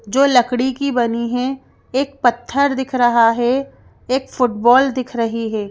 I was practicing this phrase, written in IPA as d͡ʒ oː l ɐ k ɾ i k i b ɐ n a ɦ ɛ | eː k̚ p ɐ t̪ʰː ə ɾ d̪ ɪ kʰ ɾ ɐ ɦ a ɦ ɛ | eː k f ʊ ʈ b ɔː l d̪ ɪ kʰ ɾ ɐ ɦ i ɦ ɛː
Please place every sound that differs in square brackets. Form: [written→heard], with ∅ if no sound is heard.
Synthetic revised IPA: d͡ʒ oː l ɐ k [ɾ→ɽ] i k i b ɐ n [a→i] ɦ ɛ | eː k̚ p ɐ t̪ʰː ə ɾ d̪ ɪ kʰ ɾ ɐ ɦ a ɦ ɛ | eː k f ʊ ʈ b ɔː l d̪ ɪ kʰ ɾ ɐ ɦ i ɦ ɛː